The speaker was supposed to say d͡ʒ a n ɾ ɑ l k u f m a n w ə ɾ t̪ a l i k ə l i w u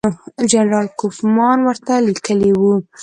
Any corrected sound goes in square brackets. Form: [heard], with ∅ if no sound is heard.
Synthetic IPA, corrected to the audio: d͡ʒ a n ɾ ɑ l k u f m [ɑ] n w ə ɾ t̪ a l i k ə l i w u